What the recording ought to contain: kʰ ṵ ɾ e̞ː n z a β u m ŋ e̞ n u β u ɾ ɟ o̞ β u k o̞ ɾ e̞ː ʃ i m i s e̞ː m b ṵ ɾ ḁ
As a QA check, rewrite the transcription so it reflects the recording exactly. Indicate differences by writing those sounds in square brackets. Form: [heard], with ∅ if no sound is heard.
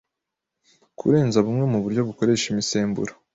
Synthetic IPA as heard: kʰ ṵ ɾ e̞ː n z a β u m ŋ e̞ [m] u β u ɾ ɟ o̞ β u k o̞ ɾ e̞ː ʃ i m i s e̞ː m b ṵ ɾ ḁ